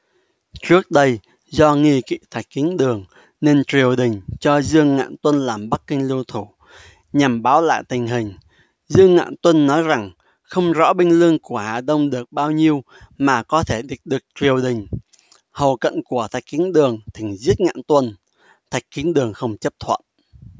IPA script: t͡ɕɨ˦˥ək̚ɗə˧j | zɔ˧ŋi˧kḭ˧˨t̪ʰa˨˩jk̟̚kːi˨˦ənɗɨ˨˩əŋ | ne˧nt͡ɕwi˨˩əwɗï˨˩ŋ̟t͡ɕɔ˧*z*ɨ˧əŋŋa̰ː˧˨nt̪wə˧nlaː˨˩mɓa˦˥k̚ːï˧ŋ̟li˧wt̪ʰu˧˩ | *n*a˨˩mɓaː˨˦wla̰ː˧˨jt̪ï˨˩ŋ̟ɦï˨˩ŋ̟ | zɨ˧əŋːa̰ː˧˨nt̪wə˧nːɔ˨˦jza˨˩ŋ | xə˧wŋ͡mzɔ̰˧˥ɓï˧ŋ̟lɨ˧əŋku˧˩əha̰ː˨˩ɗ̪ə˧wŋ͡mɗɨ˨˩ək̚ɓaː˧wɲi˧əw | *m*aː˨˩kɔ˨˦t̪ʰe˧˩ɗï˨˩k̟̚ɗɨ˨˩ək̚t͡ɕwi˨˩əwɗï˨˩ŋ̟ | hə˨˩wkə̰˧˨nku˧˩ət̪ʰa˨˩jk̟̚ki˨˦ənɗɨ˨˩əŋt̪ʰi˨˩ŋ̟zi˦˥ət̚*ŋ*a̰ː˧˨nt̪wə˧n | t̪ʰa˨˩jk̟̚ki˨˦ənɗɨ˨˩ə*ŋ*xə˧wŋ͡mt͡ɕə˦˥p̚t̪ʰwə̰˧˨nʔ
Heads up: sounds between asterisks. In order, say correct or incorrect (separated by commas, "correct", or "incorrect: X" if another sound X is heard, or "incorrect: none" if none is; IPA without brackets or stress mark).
correct, incorrect: ɲ, correct, correct, correct